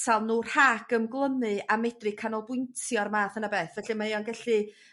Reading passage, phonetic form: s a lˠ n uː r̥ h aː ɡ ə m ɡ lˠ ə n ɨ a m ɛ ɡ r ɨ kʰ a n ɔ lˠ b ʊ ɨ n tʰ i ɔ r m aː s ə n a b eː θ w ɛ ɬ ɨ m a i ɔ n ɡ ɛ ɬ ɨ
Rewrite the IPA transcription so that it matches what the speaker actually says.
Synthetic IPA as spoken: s a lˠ n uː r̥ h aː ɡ ə m ɡ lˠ ə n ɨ a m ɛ d r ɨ kʰ a n ɔ lˠ b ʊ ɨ n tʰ j ɔ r m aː θ ə n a b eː θ v ɛ ɬ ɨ m a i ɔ n ɡ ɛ ɬ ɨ